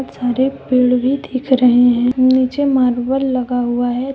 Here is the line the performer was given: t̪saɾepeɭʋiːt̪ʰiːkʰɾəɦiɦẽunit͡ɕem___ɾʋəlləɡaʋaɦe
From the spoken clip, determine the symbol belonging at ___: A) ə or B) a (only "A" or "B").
B